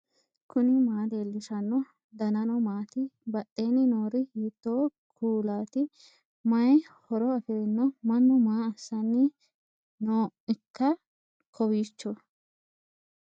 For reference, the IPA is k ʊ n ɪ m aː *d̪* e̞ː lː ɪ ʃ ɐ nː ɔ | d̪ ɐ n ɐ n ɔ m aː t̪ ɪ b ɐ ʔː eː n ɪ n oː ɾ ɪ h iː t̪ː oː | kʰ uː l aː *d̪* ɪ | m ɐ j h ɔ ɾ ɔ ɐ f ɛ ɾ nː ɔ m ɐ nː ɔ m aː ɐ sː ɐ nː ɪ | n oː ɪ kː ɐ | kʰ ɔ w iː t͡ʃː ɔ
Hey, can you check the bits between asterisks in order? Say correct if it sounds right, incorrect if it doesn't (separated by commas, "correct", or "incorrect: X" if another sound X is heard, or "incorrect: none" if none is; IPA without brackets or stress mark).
correct, incorrect: t̪